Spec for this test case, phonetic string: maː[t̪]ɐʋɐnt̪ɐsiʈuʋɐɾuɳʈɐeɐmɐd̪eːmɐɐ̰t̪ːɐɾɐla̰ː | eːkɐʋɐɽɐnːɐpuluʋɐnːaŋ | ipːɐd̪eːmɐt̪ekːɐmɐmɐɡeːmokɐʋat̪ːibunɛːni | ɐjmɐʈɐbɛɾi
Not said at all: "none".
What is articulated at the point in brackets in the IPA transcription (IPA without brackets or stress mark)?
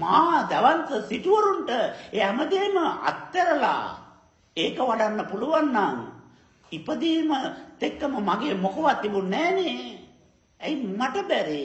d̪